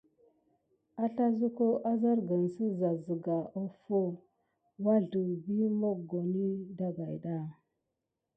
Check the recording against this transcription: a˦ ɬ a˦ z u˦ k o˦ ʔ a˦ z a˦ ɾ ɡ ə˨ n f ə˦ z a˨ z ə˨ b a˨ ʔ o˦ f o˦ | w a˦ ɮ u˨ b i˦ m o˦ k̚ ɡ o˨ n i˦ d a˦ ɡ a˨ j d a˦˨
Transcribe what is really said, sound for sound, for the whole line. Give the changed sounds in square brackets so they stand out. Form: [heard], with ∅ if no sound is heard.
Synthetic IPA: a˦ ɬ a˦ z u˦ k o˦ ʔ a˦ z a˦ ɾ ɡ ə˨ n [s] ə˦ z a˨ z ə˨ [ɡ] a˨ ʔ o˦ f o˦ | w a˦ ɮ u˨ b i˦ m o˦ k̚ ɡ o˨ n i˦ d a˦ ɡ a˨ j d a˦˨